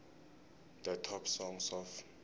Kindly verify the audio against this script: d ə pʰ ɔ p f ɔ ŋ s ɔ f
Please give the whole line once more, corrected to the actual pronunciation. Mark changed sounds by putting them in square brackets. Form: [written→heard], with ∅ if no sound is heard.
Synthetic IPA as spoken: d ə [pʰ→tʰ] ɔ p [f→s] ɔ ŋ s ɔ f